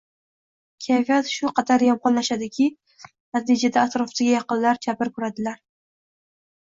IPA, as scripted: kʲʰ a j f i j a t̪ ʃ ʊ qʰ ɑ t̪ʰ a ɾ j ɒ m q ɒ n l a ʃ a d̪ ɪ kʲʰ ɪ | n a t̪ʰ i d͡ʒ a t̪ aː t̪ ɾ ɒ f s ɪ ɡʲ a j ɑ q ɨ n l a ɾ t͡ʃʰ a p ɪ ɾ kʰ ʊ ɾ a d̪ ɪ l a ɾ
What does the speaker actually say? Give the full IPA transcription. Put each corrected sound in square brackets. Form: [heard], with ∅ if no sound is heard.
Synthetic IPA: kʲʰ a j f i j a t̪ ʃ ʊ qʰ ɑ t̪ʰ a ɾ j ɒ m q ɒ n l a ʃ a d̪ ɪ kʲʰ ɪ | n a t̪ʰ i d͡ʒ a [d̪] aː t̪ ɾ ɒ f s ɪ ɡʲ a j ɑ q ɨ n l a ɾ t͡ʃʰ a p ɪ ɾ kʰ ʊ ɾ a d̪ ɪ l a ɾ